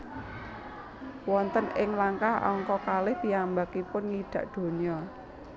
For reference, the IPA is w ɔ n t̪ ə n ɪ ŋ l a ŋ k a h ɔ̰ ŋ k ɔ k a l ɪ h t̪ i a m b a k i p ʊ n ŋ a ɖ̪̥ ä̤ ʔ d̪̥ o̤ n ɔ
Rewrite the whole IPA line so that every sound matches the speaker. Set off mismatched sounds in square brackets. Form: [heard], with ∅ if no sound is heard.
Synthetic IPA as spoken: w ɔ n t̪ ə n ɪ ŋ l a ŋ k a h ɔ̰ ŋ k ɔ k a l ɪ h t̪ i a m b a k i p ʊ n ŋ [i] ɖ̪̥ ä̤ ʔ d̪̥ o̤ [ɲ] ɔ